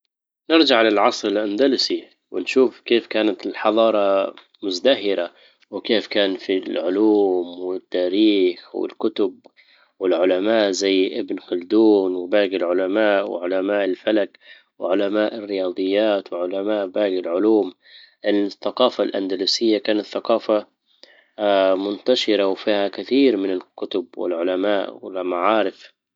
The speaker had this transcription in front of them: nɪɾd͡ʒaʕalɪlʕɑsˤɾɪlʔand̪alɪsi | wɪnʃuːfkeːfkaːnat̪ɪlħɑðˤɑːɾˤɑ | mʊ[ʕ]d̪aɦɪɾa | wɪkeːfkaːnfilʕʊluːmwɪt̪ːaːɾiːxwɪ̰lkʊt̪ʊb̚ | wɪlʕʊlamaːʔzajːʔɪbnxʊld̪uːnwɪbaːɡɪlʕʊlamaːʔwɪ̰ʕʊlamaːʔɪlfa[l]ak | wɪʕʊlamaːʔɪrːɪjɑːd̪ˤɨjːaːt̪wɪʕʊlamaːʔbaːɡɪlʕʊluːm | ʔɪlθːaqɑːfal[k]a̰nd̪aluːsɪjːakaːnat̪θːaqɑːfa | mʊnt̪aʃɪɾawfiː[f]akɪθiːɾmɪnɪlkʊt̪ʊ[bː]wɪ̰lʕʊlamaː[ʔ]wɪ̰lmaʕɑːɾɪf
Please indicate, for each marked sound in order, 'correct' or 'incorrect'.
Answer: incorrect, correct, incorrect, incorrect, incorrect, correct

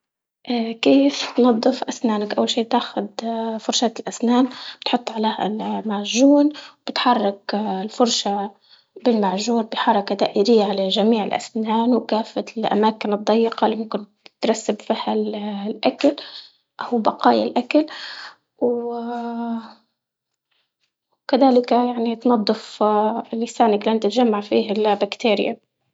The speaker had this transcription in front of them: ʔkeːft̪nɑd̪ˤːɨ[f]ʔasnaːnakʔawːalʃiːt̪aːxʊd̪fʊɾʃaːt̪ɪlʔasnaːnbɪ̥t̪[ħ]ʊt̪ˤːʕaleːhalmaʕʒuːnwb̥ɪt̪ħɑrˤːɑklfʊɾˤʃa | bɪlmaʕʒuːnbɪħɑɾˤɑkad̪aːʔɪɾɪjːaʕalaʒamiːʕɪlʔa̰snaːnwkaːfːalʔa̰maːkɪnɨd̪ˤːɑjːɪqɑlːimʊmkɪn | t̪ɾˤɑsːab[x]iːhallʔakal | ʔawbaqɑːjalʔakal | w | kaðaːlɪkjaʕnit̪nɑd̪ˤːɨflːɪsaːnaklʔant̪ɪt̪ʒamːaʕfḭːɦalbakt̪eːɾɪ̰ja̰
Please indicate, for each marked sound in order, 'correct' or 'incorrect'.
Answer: correct, correct, incorrect

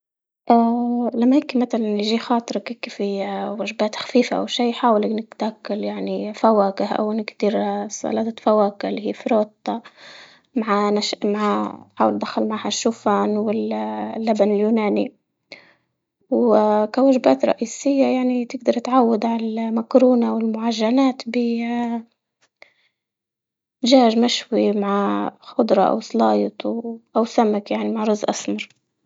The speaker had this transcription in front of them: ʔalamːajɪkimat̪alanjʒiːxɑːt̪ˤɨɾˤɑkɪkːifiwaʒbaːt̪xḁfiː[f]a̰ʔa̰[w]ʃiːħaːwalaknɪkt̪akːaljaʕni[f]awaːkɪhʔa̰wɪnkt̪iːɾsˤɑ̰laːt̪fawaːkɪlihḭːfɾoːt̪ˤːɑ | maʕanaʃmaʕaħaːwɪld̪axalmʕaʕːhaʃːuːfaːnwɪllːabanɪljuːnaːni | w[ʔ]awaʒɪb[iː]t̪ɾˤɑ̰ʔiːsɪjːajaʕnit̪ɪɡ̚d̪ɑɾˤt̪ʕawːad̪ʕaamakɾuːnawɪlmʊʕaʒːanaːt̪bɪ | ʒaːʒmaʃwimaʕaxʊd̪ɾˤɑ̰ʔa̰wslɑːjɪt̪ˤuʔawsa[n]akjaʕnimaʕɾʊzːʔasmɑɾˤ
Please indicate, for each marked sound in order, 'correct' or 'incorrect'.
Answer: correct, correct, correct, incorrect, incorrect, incorrect

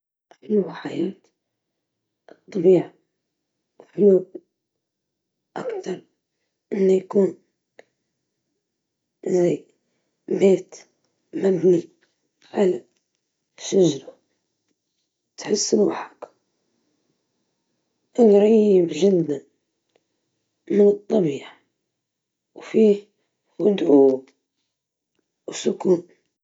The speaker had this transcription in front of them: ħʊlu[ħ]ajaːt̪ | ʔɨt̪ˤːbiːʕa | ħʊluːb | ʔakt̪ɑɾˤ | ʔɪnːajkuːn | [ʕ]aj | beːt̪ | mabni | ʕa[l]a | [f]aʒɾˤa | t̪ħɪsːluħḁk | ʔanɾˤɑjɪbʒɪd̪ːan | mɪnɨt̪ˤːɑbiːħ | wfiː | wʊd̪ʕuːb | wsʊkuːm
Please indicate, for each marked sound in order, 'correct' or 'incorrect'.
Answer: correct, incorrect, correct, incorrect

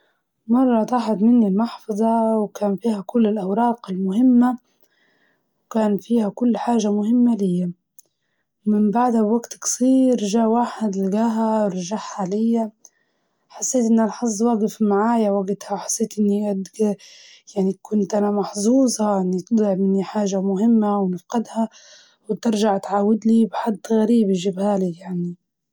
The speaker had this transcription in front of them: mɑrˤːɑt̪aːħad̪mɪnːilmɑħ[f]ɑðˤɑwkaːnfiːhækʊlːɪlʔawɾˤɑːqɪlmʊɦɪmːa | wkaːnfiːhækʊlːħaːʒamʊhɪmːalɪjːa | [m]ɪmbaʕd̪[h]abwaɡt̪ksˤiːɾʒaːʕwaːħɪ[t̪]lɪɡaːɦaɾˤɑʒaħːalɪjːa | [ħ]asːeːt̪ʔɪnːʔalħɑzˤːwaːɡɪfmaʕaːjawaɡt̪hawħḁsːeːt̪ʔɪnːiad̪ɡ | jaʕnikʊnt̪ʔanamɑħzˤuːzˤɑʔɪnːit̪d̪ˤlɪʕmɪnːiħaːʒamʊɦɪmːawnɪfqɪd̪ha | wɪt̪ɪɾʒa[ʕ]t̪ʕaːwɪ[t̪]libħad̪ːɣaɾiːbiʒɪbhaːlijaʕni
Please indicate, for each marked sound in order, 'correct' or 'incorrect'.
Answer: correct, correct, correct, incorrect, correct, correct, incorrect

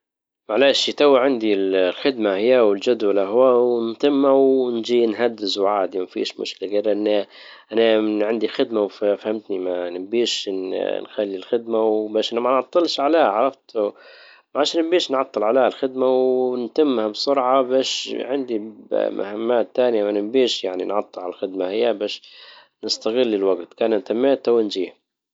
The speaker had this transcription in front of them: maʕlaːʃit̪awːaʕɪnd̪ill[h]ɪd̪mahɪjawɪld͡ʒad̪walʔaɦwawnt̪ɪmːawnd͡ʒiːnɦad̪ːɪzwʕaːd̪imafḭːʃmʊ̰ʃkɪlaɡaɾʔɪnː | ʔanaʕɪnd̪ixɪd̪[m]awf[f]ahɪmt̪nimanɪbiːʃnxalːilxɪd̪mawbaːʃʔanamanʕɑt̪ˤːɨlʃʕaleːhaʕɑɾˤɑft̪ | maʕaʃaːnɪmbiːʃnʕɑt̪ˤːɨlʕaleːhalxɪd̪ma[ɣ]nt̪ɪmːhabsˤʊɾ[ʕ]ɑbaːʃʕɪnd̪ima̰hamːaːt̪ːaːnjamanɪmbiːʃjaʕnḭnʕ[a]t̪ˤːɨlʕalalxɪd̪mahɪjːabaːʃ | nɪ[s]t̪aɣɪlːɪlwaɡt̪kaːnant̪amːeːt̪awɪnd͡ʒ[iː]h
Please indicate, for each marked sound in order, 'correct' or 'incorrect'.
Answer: incorrect, correct, correct, incorrect, correct, incorrect, correct, correct

